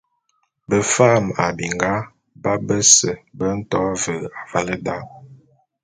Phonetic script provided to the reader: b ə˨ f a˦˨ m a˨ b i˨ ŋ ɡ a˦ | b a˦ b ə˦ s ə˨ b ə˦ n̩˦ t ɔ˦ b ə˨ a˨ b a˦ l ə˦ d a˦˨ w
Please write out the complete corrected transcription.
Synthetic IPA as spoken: b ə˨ f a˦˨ m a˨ b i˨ ŋ ɡ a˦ | b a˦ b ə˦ s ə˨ b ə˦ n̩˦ t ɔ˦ v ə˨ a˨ v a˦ l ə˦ d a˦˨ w

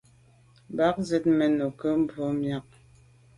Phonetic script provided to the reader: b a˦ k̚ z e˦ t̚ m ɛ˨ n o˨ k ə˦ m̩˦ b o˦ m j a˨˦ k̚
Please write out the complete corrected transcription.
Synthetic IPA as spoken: b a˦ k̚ z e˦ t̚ m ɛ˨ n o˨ k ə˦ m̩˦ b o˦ m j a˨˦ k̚

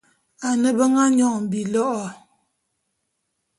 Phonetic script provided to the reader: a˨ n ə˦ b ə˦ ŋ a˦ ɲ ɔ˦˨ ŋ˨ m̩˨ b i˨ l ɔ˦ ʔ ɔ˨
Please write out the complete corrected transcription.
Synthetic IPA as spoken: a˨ n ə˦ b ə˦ ŋ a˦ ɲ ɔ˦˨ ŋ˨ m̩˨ b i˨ l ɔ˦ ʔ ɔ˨

